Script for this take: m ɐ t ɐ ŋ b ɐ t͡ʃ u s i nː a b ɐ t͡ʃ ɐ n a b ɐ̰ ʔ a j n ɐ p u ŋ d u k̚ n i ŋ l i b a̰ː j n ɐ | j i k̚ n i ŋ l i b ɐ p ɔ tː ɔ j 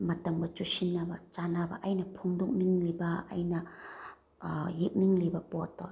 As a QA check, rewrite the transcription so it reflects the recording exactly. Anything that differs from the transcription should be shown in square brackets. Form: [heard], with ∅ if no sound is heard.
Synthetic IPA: m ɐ t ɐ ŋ b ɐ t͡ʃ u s i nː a b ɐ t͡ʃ [a] n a b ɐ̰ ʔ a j n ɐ [pʰ] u ŋ d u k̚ n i ŋ l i b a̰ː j n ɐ | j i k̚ n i ŋ l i b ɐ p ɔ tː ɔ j